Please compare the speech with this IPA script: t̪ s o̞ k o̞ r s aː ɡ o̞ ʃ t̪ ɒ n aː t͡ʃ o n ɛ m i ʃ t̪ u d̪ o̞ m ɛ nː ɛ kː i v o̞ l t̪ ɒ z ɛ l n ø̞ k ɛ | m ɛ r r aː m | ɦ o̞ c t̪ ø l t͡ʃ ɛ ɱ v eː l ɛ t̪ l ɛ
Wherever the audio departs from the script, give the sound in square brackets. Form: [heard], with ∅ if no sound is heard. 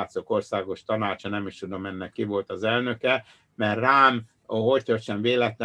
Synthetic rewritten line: t̪ s o̞ k o̞ r s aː ɡ o̞ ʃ t̪ ɒ n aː t͡ʃ [ɒ] n ɛ m i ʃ t̪ u d̪ o̞ m ɛ nː ɛ kː i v o̞ l t̪ ɒ z ɛ l n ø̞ k ɛ | m ɛ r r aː m | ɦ o̞ c t̪ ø [r] t͡ʃ ɛ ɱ v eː l ɛ t̪ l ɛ